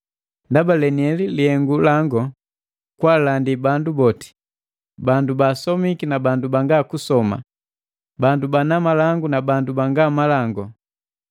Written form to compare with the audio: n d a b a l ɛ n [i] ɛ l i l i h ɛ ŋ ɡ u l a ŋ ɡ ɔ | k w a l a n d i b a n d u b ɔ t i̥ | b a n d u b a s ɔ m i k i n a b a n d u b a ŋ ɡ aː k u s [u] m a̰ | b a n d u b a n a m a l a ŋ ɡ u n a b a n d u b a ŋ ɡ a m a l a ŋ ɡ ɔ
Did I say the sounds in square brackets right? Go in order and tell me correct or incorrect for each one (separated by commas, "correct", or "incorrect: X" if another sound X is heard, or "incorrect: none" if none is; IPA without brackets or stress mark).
correct, incorrect: ɔ